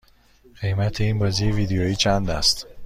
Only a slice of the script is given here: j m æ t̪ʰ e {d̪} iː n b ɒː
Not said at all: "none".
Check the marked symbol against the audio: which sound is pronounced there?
none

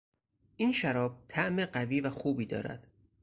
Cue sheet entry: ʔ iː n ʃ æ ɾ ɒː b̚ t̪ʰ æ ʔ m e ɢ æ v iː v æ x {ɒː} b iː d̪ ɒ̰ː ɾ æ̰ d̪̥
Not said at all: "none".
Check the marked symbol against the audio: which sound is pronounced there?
uː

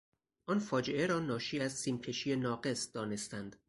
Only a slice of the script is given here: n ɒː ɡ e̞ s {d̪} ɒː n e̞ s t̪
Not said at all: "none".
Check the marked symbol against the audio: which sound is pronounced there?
d̪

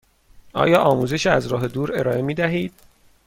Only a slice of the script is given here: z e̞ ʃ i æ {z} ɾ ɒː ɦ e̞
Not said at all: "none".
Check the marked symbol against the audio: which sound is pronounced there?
z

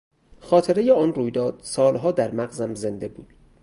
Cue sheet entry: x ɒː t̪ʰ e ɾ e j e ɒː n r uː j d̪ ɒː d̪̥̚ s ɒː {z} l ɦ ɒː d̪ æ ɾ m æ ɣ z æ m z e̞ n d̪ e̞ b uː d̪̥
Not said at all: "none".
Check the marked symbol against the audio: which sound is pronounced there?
none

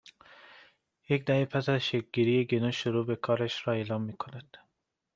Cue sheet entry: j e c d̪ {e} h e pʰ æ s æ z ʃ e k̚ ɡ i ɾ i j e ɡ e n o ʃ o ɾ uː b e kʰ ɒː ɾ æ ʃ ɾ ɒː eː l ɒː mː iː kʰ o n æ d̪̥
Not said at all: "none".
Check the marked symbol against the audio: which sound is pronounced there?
æ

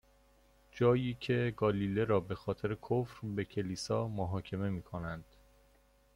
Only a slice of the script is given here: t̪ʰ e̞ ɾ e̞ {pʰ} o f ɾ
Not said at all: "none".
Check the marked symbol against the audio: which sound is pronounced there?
kʰ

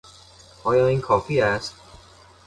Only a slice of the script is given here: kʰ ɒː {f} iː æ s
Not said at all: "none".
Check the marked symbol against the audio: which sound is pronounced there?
f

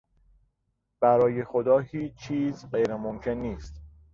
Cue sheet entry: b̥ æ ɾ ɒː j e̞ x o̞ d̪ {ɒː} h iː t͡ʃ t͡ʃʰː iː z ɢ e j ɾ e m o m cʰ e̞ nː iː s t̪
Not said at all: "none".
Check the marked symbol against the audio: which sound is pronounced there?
ɒː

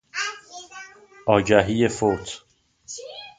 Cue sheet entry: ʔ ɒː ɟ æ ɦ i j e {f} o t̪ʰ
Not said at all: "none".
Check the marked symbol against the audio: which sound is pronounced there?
f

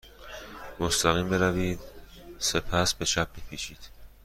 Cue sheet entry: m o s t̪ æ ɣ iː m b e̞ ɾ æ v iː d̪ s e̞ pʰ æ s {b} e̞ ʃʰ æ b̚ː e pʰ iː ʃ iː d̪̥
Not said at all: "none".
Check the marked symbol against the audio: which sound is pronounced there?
b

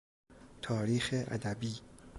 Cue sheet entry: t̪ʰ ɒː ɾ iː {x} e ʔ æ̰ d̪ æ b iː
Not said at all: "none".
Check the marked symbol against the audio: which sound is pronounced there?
x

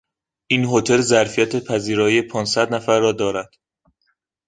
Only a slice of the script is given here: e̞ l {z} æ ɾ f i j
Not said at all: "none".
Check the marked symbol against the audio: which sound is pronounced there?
z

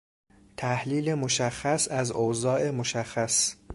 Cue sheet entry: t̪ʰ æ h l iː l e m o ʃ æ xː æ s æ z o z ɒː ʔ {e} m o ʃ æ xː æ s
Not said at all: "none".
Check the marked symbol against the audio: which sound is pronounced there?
e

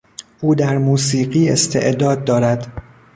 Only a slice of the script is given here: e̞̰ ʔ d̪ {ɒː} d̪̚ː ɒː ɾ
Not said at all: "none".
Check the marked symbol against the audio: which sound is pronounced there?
ɒː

